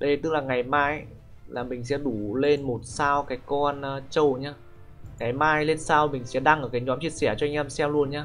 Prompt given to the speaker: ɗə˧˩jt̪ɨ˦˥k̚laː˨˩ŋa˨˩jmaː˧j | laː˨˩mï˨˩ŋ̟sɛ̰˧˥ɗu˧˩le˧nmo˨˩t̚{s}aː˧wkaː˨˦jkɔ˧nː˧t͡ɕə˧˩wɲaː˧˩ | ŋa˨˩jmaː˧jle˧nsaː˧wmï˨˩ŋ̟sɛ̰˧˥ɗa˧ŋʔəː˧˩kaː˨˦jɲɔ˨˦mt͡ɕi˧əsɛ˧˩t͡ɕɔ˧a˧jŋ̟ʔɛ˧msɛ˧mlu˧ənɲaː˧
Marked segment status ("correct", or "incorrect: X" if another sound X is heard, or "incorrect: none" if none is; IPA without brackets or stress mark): correct